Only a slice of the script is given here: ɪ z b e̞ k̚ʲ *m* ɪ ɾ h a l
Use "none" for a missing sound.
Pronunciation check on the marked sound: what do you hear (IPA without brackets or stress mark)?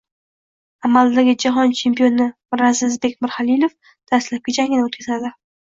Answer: m